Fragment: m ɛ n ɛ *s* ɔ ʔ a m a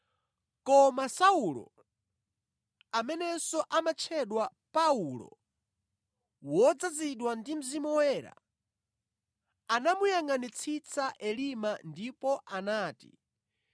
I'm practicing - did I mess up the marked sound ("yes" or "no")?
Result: no